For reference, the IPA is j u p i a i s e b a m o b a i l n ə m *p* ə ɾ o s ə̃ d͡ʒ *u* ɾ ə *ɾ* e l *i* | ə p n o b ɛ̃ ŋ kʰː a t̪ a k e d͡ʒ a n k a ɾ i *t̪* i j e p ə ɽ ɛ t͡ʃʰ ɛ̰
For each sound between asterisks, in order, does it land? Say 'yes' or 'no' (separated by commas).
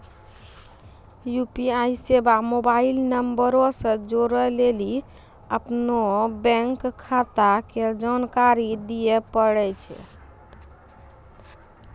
no, no, no, yes, no